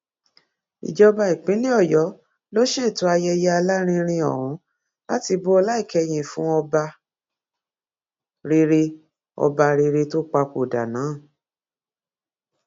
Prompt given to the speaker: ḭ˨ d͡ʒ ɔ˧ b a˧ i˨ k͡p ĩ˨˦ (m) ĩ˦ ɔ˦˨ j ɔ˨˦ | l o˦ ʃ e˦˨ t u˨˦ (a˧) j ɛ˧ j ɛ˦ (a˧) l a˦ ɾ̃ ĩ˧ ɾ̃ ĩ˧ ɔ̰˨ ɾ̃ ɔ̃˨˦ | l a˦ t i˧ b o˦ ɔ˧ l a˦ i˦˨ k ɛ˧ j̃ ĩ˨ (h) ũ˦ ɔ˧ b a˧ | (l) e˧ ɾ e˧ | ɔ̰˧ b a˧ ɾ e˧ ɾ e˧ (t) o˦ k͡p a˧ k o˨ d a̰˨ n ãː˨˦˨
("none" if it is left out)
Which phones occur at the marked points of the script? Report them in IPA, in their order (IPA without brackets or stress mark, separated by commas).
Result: n, a˧, a˧, f, ɾ, t